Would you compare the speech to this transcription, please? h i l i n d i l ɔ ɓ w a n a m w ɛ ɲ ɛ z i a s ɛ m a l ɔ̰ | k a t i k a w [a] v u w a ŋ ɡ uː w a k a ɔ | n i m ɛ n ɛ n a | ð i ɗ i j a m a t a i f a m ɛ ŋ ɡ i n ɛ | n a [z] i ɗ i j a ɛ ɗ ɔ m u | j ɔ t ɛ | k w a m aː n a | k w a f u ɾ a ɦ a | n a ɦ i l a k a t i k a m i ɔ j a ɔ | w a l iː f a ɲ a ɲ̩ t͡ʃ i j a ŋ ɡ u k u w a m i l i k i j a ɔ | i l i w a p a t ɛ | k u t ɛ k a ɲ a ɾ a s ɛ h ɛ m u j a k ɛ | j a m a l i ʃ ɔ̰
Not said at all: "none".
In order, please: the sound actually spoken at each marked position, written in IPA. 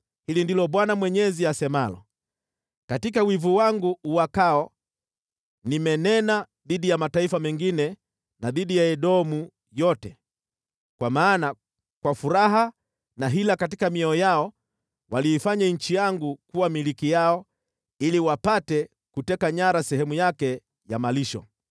i, ð

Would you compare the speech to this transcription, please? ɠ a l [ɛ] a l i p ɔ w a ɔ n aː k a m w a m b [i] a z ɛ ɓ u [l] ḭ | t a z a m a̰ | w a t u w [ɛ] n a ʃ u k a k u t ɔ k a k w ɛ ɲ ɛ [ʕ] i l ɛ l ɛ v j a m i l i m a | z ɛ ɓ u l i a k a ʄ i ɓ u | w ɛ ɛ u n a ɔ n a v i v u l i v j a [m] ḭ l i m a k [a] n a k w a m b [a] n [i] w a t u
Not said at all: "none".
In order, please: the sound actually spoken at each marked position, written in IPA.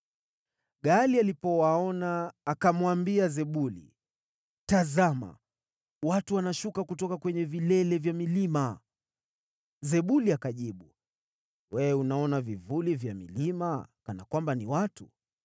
i, i, l, a, v, m, a, a, i

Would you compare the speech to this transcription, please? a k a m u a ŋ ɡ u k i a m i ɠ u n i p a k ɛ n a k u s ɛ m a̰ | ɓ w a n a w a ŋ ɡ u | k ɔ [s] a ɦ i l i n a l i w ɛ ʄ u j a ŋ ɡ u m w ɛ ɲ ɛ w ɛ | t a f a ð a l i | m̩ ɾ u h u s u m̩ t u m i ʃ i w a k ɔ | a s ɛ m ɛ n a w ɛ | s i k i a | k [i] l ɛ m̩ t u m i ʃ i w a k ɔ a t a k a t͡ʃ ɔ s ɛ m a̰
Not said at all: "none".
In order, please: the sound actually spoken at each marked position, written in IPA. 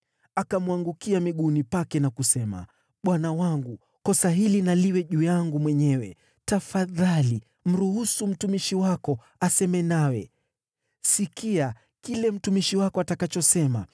s, i

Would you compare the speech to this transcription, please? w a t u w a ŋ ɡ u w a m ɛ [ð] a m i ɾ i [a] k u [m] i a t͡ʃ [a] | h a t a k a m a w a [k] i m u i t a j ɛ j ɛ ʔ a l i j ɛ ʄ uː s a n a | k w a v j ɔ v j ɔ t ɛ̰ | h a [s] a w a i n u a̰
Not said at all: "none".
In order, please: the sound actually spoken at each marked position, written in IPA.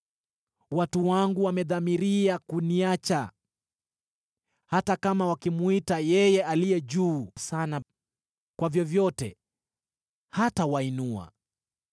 ð, a, n, a, k, t

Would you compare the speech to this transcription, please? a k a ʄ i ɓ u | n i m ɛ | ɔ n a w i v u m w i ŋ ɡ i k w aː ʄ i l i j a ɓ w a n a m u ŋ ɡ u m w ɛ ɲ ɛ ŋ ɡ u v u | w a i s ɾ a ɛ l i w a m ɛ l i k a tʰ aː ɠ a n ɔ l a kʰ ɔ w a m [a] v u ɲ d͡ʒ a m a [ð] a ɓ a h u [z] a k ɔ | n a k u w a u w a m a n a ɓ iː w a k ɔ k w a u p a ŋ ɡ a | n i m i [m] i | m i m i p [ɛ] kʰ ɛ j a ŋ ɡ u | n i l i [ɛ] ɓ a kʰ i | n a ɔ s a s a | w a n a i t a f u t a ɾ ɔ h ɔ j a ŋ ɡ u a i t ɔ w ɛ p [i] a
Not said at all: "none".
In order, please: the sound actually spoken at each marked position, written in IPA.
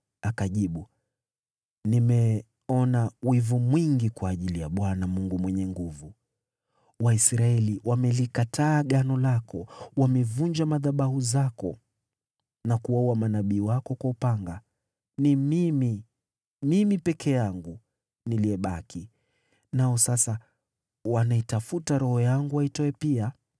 ɛ, ð, z, m, ɛ, ɛ, i

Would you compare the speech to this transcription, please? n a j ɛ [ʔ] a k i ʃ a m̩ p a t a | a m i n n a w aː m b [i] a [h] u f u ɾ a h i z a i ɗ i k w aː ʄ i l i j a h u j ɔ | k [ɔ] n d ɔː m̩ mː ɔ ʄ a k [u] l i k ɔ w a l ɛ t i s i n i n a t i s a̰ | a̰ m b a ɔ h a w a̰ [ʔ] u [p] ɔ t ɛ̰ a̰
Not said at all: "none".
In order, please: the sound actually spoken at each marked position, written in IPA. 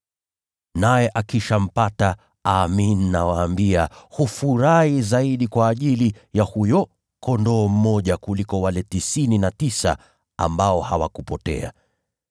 ʔ, i, h, ɔ, u, k, p

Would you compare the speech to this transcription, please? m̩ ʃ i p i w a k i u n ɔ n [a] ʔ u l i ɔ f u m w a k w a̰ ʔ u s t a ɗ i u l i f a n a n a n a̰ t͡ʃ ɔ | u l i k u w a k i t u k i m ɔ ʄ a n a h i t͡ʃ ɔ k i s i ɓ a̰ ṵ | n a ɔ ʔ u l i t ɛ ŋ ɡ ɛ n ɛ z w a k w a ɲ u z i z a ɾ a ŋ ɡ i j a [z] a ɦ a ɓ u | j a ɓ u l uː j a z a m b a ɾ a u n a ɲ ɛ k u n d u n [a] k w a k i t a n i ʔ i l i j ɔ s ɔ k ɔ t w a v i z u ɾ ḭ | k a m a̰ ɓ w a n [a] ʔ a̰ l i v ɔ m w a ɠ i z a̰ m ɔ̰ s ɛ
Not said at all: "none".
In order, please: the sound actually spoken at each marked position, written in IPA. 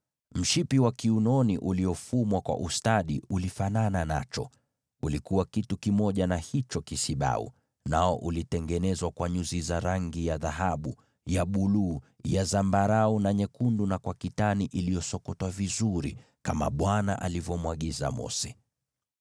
i, ð, a, a

